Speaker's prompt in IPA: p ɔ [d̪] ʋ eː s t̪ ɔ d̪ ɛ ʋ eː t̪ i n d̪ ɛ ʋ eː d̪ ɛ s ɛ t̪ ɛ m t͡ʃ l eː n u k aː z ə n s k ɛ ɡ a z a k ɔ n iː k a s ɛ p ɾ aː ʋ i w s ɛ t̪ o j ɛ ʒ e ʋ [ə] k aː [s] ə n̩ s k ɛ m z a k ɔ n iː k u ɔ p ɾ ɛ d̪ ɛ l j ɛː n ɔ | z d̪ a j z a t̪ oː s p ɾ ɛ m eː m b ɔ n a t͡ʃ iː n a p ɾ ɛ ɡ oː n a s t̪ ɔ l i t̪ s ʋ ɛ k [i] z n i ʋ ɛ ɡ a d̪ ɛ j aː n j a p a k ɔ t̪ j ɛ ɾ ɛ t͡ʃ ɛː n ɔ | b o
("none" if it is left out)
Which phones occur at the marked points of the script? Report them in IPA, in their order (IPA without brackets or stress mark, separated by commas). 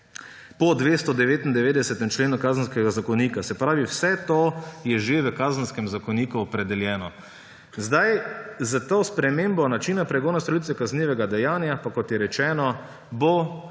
d̪, ə, z, a